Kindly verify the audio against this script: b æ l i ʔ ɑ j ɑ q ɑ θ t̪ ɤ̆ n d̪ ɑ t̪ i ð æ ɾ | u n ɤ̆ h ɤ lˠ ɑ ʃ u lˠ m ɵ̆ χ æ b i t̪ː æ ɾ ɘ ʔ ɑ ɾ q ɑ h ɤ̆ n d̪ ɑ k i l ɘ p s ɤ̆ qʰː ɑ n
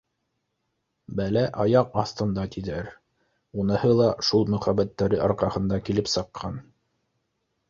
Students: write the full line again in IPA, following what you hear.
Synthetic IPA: b æ l æ ʔ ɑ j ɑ q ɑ θ t̪ ɤ̆ n d̪ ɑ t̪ i ð æ ɾ | u n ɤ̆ h ɤ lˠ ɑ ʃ u lˠ m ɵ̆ χ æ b æ t̪ː æ ɾ ɘ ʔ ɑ ɾ q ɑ h ɤ̆ n d̪ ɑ k i l ɘ p s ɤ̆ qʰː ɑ n